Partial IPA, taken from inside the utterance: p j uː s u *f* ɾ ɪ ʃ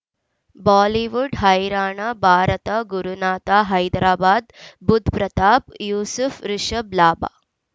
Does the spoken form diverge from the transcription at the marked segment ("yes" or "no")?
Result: no